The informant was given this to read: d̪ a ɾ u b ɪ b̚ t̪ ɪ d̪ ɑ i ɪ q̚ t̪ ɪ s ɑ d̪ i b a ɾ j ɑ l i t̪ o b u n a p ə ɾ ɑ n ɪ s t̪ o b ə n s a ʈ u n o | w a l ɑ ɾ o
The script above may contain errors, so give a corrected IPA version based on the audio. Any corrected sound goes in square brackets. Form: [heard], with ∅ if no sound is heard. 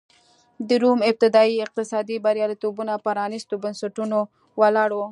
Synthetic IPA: d̪ [ə] ɾ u [m] ɪ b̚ t̪ ɪ d̪ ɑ i ɪ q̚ t̪ ɪ s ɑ d̪ i b a ɾ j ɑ l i t̪ o b u n a p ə ɾ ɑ n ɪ s t̪ o b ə n s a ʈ u n o | w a l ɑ [ɽ] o